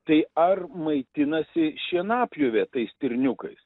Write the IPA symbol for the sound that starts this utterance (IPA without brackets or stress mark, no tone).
t̪